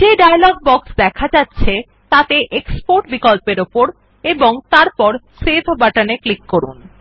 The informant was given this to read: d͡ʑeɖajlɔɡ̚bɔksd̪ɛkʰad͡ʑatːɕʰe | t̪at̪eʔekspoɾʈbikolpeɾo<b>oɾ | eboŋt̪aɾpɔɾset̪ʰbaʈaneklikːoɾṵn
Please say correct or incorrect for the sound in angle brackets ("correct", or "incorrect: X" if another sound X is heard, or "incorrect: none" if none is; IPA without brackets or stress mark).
incorrect: p